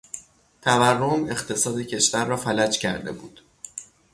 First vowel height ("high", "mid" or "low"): low